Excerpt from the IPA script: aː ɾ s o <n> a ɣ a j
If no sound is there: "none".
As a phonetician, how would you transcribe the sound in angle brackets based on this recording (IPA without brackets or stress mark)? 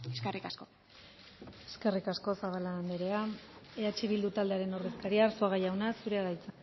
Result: none